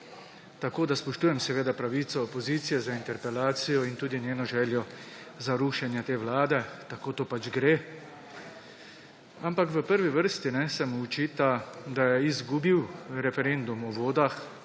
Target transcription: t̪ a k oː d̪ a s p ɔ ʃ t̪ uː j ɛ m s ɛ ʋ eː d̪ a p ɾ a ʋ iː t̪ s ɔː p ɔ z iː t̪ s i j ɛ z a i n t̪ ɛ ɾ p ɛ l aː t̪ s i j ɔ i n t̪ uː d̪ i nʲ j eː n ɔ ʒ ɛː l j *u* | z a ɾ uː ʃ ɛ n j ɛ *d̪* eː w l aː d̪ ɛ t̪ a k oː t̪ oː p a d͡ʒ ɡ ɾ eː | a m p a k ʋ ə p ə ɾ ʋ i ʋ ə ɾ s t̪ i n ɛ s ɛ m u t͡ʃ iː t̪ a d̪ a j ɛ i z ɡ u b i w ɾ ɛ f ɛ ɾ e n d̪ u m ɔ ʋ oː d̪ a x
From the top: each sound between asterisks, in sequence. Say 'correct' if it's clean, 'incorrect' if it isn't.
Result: incorrect: ɔ, incorrect: t̪

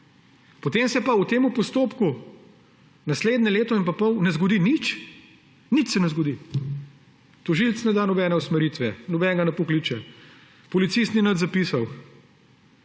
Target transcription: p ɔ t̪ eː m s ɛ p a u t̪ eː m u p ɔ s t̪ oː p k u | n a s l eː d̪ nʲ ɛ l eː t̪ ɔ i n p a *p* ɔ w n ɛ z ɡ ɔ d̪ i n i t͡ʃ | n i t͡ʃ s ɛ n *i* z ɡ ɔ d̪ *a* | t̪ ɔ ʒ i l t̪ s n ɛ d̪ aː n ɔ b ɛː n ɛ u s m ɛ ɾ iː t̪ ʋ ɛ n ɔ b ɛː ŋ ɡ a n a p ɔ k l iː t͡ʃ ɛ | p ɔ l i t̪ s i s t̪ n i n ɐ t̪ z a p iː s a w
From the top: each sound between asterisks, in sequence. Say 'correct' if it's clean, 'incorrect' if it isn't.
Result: correct, incorrect: ɛ, incorrect: i

